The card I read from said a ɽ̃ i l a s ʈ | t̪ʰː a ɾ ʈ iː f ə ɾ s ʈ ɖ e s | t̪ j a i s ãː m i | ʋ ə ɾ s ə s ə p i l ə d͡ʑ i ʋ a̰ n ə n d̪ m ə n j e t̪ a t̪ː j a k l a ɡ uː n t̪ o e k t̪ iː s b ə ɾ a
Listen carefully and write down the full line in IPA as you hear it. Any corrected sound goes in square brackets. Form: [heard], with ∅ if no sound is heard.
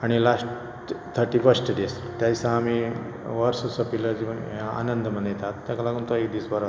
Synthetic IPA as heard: a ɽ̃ i l a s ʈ | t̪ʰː [ə] ɾ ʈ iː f ə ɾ s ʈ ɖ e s | t̪ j a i s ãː m i | ʋ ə ɾ s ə s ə p i l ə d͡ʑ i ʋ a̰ n ə n d̪ m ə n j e t̪ a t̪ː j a k l a ɡ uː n t̪ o e k [d̪] iː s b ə ɾ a